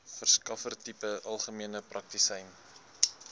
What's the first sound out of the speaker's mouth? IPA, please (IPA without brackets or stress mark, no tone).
f